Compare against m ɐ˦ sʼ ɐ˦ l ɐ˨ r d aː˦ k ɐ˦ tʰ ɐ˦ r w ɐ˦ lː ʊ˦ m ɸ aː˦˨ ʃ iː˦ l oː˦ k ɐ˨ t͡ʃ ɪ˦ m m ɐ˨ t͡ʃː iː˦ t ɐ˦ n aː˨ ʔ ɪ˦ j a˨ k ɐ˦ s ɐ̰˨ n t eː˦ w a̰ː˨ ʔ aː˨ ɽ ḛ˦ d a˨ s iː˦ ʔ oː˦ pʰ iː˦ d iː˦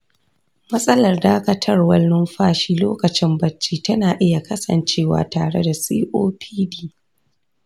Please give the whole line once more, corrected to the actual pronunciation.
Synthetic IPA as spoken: m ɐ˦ sʼ ɐ˦ l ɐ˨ r d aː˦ k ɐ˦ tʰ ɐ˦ r w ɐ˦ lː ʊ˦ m ɸ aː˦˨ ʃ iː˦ l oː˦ k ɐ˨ t͡ʃ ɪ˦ m b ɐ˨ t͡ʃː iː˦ t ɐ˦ n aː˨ ʔ ɪ˦ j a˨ k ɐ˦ s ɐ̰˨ n t͡ʃ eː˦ w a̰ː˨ t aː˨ ɽ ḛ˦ d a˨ s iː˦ ʔ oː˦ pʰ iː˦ d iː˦